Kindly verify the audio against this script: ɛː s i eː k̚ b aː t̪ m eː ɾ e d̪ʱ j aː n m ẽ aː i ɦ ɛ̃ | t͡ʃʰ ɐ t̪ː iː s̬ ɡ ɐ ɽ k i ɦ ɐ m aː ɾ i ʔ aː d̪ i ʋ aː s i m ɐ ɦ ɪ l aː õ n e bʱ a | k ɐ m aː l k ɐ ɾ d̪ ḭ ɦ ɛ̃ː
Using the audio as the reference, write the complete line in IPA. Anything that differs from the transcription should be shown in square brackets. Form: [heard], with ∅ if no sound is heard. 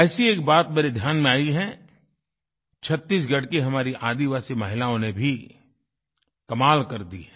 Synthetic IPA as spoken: ɛː s i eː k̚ b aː t̪ m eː ɾ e d̪ʱ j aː n m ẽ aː i ɦ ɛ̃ | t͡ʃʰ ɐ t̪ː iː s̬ ɡ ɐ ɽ k i ɦ ɐ m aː ɾ i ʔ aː d̪ i ʋ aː s i m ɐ ɦ ɪ l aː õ n e bʱ [i] | k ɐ m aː l k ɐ ɾ d̪ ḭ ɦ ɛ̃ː